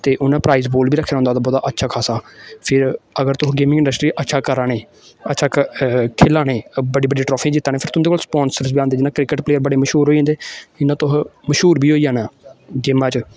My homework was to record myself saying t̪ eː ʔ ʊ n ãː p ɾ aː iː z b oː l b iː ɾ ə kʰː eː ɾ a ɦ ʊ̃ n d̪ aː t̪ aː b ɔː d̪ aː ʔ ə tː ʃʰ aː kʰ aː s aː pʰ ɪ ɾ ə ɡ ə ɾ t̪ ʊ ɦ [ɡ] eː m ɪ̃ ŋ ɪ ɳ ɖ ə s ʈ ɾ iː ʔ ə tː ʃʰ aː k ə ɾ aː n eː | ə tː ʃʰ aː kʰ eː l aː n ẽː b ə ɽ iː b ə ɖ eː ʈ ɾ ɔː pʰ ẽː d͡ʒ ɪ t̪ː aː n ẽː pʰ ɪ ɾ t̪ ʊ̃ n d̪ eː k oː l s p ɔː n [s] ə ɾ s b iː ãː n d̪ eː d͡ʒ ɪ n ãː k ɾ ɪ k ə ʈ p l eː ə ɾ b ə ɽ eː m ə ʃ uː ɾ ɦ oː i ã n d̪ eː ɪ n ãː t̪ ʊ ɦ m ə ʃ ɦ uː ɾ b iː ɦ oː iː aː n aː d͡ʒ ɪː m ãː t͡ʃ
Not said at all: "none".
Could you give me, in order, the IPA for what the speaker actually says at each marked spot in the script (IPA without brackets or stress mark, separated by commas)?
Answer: ɡ, s